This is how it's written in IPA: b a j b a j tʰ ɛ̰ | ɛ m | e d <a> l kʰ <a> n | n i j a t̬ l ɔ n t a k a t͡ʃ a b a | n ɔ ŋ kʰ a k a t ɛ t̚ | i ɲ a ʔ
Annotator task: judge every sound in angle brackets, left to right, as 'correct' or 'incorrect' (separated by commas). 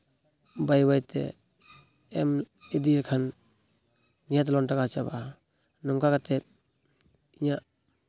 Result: incorrect, correct